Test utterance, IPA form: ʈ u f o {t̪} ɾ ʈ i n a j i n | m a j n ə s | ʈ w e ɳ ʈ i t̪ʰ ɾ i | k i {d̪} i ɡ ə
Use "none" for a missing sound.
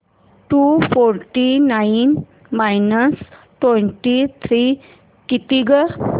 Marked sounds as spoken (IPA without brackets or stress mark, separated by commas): none, t̪